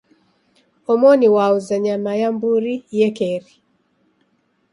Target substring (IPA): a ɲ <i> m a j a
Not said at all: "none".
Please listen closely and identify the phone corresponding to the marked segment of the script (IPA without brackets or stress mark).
a